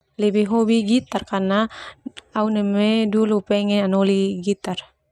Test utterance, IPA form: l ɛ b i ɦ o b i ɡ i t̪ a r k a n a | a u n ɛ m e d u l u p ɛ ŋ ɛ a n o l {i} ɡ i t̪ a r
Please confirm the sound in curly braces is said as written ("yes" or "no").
yes